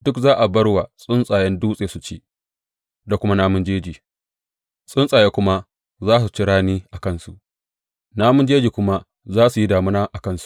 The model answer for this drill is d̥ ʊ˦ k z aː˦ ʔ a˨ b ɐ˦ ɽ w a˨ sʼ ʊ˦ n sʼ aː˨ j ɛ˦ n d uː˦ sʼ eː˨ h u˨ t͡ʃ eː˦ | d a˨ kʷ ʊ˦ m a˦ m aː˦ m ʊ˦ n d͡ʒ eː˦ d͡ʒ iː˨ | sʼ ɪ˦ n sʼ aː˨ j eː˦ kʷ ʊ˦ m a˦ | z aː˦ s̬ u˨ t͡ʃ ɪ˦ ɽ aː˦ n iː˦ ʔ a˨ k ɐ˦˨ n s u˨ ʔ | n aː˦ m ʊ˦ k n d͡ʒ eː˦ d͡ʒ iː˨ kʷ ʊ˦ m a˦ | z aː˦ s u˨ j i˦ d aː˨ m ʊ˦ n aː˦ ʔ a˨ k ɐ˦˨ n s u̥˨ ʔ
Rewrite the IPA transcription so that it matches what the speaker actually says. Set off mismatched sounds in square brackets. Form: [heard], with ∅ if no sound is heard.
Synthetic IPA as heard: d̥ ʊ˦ k z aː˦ ʔ a˨ b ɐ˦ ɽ w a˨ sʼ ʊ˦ n sʼ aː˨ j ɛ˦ n d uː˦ sʼ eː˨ [s] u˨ t͡ʃ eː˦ | d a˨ kʷ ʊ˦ m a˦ [n] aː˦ m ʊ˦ n d͡ʒ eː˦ d͡ʒ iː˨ | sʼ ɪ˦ n sʼ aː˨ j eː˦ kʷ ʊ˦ m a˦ | z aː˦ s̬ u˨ t͡ʃ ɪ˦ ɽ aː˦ n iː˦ ʔ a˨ k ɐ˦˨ n s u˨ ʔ | n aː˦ m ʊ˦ [∅] n d͡ʒ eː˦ d͡ʒ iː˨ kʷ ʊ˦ m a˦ | z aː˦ s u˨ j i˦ d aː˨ m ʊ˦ n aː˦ ʔ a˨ k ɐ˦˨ n s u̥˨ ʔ

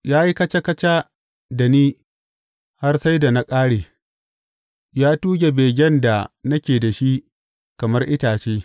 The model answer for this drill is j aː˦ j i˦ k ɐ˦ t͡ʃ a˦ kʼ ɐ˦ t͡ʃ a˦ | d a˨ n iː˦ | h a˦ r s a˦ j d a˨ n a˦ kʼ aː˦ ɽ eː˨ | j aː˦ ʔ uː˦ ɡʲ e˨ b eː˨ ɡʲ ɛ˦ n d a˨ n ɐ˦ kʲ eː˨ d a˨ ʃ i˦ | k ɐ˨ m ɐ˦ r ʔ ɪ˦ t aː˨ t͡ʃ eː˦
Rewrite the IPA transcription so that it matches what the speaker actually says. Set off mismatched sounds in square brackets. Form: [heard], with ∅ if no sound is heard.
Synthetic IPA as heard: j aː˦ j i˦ k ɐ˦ t͡ʃ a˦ [k] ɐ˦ t͡ʃ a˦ | d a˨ n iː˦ | h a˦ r s a˦ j d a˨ n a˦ kʼ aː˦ ɽ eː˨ | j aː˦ [t] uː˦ ɡʲ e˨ b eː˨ ɡʲ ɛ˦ n d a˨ n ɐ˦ kʲ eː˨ d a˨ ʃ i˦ | k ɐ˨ m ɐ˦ r ʔ ɪ˦ t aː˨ t͡ʃ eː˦

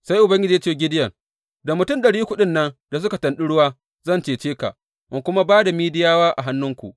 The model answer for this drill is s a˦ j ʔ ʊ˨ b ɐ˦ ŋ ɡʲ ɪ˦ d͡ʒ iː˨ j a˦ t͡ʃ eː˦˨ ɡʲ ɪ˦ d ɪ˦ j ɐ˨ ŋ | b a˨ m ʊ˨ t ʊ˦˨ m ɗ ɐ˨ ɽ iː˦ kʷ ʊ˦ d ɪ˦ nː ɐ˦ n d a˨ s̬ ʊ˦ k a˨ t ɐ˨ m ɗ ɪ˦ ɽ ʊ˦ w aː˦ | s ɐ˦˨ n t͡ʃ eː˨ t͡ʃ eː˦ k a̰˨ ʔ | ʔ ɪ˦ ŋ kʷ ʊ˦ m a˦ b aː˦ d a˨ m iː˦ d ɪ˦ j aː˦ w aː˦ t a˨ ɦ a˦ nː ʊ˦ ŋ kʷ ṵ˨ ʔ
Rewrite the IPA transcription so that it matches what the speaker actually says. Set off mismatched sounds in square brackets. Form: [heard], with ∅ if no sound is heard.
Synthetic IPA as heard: s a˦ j ʔ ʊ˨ b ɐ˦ ŋ ɡʲ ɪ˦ d͡ʒ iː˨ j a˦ t͡ʃ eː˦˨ ɡʲ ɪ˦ d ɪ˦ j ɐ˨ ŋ | [d] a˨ m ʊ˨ t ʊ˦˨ m ɗ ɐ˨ ɽ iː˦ kʷ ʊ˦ [ɗ] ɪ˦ nː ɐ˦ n d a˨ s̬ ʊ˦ k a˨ t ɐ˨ [n] ɗ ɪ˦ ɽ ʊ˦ w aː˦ | [z] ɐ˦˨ n t͡ʃ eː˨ t͡ʃ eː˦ k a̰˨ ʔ | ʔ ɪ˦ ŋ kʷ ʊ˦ m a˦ b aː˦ d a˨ m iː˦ d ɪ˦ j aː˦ w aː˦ [ʔ] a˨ ɦ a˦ nː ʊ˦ ŋ kʷ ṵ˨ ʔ

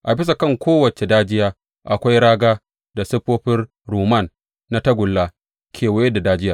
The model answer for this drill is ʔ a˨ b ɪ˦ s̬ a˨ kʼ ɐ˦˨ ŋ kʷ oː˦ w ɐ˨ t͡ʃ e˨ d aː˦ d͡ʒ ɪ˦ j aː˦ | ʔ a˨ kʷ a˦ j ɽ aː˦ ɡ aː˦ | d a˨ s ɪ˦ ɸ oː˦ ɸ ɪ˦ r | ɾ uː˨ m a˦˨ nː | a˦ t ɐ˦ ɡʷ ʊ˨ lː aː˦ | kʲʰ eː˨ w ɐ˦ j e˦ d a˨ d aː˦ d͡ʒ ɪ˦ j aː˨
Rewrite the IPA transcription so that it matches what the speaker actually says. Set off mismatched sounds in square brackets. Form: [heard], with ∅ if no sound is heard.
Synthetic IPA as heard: ʔ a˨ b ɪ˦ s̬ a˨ [k] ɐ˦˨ ŋ kʷ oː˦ w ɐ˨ t͡ʃ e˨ d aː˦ d͡ʒ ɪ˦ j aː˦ | ʔ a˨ kʷ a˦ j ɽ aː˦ ɡ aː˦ | d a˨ s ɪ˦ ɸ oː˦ ɸ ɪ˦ r | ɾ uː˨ m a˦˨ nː | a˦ t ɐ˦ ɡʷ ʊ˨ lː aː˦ | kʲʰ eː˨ w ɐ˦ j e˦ d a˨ d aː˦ d͡ʒ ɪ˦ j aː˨

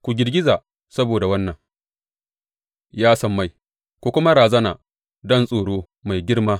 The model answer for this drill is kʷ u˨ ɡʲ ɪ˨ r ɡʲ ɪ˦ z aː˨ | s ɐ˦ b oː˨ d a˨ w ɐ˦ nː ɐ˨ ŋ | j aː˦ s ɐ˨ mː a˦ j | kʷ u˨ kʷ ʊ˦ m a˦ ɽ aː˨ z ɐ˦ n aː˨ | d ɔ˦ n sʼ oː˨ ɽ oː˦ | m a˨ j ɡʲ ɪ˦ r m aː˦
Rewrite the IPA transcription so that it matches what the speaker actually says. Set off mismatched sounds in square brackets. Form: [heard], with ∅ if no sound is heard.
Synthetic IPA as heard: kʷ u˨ ɡʲ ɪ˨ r ɡʲ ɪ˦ z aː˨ | s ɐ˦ b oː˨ d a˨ w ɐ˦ nː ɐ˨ ŋ | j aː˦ s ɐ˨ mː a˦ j | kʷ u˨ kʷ ʊ˦ m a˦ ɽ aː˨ z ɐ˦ n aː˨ | d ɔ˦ n sʼ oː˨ ɽ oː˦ | m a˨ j ɡʲ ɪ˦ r m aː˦

